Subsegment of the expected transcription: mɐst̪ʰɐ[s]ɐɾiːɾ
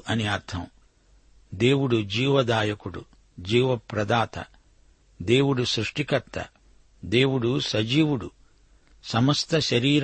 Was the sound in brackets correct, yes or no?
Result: no